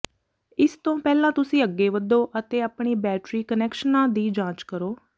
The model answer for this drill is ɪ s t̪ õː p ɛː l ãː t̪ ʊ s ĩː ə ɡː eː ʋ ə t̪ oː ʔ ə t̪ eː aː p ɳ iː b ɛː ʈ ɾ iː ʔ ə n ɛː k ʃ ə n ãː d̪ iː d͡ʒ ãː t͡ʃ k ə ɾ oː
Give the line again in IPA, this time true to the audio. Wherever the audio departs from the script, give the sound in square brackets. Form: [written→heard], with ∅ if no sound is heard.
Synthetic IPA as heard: ɪ s t̪ õː p ɛː l ãː t̪ ʊ s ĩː ə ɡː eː ʋ ə [t̪→d̪] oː ʔ ə t̪ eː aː p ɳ iː b ɛː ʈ ɾ iː [ʔ→k] ə n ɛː k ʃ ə n ãː d̪ iː d͡ʒ ãː t͡ʃ k ə ɾ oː